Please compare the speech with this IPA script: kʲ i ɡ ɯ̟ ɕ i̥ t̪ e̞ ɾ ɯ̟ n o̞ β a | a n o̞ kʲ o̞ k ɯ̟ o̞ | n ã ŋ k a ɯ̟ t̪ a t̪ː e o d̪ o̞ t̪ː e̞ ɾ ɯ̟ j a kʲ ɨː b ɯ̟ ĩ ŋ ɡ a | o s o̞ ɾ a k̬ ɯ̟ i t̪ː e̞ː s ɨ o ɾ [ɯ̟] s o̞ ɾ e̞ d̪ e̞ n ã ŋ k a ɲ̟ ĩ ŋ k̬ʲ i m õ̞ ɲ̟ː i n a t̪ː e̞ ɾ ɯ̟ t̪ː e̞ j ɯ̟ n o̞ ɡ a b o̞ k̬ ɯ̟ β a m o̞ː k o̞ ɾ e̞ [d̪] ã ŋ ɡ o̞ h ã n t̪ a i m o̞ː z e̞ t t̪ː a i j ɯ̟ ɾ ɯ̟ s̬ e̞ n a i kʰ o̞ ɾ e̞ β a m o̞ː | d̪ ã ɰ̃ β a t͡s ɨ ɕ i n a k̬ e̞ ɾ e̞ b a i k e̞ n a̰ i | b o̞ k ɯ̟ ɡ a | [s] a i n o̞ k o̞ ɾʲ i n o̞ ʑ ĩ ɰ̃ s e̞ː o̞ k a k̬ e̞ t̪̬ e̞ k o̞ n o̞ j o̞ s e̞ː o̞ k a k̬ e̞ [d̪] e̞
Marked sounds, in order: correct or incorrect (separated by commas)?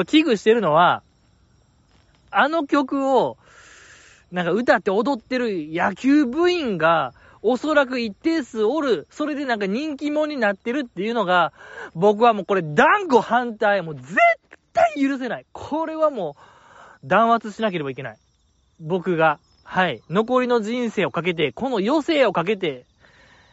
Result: correct, correct, incorrect, incorrect